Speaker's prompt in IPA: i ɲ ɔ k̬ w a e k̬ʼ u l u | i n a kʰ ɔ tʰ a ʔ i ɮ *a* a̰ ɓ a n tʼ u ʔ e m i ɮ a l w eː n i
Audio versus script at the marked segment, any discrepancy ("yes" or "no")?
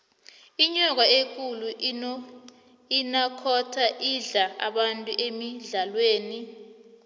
no